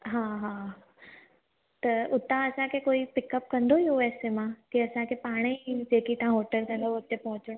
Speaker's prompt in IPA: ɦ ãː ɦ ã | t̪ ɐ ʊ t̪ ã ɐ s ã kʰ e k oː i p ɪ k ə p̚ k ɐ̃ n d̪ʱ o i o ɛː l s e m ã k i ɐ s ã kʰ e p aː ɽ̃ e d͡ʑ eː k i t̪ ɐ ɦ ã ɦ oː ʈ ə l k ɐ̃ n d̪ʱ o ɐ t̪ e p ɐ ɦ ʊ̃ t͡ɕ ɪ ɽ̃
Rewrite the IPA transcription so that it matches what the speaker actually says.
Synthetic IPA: ɦ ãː ɦ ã | t̪ ɐ ʊ t̪ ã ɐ s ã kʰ e k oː i p ɪ k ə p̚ k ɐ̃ n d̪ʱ o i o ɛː s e m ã k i ɐ s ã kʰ e p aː ɽ̃ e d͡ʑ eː k i t̪ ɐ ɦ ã ɦ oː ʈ ə l k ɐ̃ n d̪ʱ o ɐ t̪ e p ɐ ɦ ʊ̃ t͡ɕ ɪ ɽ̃